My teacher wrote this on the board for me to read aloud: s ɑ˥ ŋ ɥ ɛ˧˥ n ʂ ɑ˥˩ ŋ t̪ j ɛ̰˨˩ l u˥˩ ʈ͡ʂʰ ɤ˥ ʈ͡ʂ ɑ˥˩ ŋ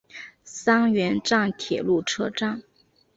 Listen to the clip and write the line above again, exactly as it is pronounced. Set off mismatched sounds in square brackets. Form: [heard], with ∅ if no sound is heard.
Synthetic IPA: s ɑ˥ ŋ ɥ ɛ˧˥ n [ʈ͡ʂ] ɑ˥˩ ŋ [t̪ʰ] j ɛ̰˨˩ l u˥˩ ʈ͡ʂʰ ɤ˥ ʈ͡ʂ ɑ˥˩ ŋ